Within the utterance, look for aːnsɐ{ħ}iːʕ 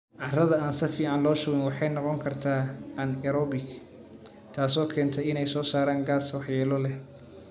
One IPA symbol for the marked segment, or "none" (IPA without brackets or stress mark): f